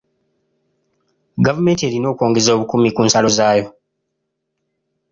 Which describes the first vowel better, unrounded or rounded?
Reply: unrounded